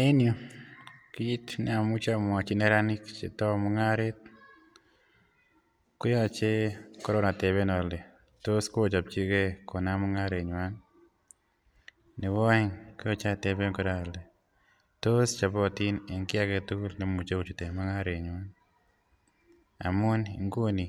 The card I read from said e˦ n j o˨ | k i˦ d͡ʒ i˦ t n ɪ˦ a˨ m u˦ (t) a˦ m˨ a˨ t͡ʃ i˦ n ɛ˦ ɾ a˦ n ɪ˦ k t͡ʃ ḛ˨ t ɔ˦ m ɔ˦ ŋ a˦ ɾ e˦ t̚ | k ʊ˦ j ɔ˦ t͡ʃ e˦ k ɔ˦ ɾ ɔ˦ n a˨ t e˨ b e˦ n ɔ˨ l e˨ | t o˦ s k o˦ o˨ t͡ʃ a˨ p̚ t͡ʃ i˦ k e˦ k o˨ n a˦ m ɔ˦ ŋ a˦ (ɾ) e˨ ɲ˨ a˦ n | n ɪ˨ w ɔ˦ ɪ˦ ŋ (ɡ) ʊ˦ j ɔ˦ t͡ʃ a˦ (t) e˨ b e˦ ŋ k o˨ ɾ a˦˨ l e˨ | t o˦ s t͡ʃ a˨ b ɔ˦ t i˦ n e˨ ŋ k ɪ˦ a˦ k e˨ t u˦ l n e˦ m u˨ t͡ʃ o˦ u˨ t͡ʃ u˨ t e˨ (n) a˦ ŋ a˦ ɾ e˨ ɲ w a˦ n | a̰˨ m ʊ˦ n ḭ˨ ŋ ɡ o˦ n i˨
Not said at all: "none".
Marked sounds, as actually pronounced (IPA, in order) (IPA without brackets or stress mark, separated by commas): t͡ʃ, ɾ, k, t, m